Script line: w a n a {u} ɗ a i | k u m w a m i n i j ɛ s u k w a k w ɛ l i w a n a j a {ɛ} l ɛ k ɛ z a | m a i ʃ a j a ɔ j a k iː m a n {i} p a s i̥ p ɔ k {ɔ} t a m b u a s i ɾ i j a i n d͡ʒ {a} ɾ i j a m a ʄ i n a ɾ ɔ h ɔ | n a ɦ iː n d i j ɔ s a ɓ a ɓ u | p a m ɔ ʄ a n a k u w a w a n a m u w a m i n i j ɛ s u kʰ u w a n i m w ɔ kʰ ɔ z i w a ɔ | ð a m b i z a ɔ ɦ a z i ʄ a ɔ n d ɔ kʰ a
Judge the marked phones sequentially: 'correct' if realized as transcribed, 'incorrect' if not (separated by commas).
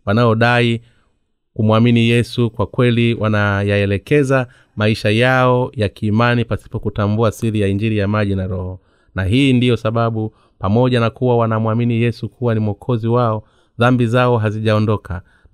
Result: incorrect, correct, correct, incorrect, incorrect